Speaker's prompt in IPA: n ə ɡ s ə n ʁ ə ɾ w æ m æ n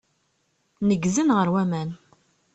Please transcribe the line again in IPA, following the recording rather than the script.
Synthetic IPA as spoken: n ə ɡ z ə n ʁ ə ɾ w æ m æ n